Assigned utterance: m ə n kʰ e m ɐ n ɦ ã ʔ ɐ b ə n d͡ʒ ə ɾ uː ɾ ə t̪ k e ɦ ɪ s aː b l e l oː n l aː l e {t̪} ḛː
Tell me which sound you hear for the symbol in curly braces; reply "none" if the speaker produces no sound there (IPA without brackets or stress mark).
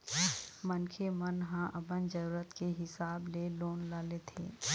t̪ʰ